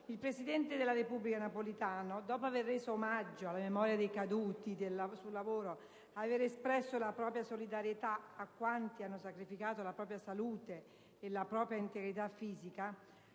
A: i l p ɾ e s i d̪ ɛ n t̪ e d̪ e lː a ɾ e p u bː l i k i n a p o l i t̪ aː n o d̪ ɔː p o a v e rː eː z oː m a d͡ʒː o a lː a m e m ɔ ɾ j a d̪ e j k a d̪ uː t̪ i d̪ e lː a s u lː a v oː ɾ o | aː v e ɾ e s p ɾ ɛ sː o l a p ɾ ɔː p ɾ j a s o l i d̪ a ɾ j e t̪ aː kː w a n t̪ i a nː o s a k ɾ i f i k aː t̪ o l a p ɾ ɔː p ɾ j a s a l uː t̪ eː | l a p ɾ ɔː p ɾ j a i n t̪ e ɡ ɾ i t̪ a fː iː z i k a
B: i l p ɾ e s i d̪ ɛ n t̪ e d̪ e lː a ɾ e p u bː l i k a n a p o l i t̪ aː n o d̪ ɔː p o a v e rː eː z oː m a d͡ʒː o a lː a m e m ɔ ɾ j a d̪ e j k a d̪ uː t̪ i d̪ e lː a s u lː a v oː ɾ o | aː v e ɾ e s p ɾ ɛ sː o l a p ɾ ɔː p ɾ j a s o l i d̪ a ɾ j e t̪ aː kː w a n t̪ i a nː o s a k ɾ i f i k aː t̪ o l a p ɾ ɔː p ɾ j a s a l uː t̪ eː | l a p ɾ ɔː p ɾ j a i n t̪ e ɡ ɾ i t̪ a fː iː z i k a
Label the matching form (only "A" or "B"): B